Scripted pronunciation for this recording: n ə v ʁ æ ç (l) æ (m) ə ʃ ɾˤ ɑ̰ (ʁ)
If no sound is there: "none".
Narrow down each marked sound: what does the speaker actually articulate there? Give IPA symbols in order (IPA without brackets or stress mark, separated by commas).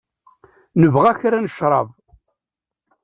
ɾ, n, v